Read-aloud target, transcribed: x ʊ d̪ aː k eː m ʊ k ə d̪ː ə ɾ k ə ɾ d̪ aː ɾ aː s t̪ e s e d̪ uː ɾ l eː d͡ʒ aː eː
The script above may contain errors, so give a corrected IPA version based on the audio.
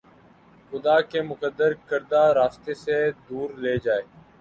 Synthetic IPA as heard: x ʊ d̪ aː k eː m ʊ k ə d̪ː ə ɾ k ə ɾ d̪ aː ɾ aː s t̪ e s e d̪ uː ɾ l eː d͡ʒ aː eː